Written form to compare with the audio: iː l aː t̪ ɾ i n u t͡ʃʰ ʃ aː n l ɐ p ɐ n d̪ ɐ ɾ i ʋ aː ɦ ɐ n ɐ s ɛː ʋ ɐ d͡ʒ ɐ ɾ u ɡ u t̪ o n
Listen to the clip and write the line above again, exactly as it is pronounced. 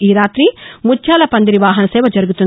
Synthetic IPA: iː ɾ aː t̪ ɾ i m u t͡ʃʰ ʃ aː l ɐ p ɐ n d̪ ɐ ɾ i ʋ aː ɦ ɐ n ɐ s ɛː ʋ ɐ d͡ʒ ɐ ɾ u ɡ u t̪ u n